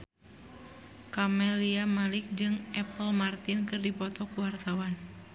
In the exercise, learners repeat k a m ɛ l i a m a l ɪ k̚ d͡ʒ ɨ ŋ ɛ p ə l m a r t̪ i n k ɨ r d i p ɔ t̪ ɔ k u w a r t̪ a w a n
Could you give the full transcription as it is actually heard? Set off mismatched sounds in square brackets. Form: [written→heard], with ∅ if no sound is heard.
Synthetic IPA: k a m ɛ l i a m a l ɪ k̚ d͡ʒ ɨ ŋ ɛ p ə l m a r t̪ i n k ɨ r d i p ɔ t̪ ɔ k u w a r t̪ a w a n